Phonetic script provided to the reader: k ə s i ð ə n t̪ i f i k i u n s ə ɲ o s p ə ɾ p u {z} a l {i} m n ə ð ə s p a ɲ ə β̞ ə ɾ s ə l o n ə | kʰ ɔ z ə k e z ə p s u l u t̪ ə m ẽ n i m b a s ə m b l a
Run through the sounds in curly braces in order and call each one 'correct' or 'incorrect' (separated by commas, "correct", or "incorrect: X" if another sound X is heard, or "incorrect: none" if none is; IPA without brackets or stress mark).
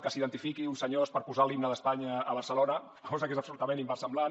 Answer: correct, correct